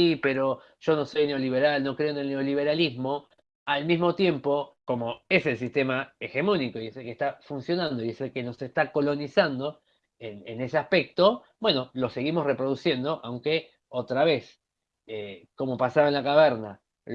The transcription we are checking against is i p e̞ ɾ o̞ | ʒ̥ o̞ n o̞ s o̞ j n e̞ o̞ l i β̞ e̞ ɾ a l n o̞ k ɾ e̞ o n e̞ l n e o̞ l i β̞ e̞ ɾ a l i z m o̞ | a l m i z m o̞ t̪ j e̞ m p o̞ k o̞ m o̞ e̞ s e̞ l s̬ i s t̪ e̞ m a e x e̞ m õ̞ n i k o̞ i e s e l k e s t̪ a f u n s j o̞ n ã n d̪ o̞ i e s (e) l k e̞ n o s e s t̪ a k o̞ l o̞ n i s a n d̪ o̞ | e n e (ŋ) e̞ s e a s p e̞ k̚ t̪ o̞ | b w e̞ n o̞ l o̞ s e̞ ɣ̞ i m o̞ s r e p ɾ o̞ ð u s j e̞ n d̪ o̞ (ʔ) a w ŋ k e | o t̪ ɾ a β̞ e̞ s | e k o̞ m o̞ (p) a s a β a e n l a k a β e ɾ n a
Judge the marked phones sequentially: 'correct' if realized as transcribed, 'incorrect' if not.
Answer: correct, incorrect: n, correct, correct

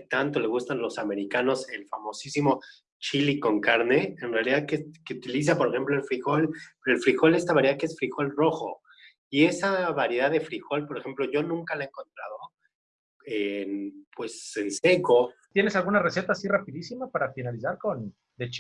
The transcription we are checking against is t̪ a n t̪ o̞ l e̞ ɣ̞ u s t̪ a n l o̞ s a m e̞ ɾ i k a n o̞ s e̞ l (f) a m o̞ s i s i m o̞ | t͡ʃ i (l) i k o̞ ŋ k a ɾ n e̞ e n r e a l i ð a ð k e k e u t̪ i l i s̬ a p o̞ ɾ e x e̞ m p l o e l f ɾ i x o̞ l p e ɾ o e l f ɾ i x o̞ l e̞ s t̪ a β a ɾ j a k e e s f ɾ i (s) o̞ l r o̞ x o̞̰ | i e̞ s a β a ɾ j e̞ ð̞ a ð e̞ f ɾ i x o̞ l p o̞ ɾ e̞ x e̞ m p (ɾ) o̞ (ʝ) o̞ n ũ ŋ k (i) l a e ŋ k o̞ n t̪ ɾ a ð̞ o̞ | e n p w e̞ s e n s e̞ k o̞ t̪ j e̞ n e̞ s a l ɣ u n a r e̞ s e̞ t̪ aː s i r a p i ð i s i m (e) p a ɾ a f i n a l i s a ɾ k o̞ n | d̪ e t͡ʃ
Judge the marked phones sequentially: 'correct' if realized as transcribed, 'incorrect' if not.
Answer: correct, correct, incorrect: x, incorrect: l, correct, incorrect: a, incorrect: a

